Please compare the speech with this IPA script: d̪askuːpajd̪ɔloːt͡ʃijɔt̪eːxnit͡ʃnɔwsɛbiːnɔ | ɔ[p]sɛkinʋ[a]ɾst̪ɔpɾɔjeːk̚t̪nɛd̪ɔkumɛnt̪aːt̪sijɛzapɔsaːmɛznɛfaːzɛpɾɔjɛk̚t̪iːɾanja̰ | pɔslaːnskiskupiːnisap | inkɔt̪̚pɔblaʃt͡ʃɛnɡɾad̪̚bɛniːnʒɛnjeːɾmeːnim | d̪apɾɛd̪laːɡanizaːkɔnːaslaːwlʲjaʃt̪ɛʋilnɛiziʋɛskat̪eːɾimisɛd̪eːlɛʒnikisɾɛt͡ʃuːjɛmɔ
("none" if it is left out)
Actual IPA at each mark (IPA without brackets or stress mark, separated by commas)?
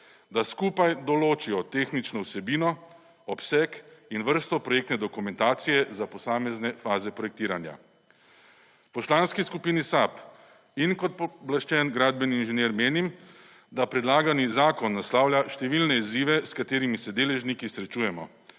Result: p, ə